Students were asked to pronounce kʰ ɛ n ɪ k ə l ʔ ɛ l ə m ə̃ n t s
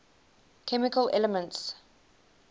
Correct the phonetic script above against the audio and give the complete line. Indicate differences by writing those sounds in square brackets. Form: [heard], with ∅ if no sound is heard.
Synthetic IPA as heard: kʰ ɛ [m] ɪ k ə l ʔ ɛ l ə m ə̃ n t s

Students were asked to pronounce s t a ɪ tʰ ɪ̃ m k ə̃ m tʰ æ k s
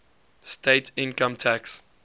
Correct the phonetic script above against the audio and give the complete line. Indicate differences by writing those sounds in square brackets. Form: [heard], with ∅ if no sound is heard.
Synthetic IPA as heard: s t [e] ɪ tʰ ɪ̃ [n] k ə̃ m tʰ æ k s

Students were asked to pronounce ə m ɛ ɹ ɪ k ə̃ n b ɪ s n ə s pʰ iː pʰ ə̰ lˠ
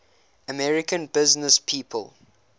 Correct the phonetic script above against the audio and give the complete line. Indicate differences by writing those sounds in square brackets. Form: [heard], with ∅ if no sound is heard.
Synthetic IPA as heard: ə m ɛ ɹ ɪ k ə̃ n b ɪ [z] n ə s pʰ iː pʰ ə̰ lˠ

